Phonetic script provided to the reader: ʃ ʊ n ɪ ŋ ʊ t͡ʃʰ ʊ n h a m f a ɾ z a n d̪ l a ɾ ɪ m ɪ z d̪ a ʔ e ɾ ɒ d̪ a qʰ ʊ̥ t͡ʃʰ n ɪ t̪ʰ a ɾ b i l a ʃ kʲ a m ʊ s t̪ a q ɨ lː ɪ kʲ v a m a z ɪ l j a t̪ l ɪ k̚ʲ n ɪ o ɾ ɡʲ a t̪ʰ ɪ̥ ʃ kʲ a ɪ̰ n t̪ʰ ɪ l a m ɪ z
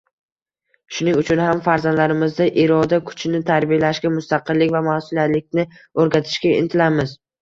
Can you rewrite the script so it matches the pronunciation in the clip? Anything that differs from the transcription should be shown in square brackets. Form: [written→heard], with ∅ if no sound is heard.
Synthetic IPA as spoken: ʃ ʊ n ɪ ŋ ʊ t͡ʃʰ ʊ n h a m f a ɾ z a n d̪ l a ɾ ɪ m ɪ z d̪ a ʔ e ɾ ɒ d̪ a [qʰ→kʰ] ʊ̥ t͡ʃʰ n ɪ t̪ʰ a ɾ b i l a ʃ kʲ a m ʊ s t̪ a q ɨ lː ɪ kʲ v a m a [z→s] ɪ l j a t̪ l ɪ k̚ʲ n ɪ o ɾ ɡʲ a t̪ʰ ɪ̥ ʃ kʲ a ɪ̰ n t̪ʰ ɪ l a m ɪ z